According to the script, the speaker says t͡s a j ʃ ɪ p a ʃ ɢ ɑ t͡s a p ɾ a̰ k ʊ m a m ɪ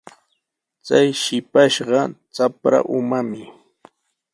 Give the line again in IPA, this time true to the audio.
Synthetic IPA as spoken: t͡s a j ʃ ɪ p a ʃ ɢ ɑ t͡s a p ɾ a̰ ʔ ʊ m a m ɪ